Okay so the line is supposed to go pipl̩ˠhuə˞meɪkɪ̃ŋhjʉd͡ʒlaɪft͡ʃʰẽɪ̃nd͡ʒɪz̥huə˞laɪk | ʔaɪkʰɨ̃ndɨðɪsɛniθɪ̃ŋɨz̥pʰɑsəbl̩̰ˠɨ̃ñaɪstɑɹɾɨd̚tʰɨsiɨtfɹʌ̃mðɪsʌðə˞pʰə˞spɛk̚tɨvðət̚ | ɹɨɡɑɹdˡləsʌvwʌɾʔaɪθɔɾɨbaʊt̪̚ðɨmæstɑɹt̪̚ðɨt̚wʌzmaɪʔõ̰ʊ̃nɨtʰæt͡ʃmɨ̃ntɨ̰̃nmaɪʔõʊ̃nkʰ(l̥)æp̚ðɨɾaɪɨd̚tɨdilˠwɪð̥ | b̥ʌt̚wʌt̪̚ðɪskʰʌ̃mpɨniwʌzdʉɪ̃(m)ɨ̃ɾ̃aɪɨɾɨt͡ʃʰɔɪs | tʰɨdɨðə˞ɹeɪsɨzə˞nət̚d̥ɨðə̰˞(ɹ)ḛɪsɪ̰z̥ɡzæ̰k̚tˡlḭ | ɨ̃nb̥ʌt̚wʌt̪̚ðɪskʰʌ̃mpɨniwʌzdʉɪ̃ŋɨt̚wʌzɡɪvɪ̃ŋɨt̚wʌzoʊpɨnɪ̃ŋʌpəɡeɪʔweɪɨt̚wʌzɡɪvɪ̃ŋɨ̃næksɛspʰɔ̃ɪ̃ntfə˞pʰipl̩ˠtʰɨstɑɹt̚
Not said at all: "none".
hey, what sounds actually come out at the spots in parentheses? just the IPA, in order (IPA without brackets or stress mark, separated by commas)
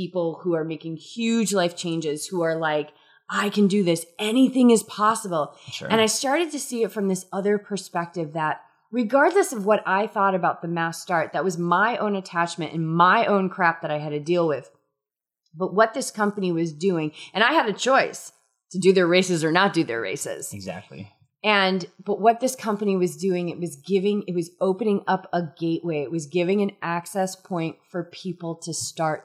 ɹ̥, ŋ, ɹ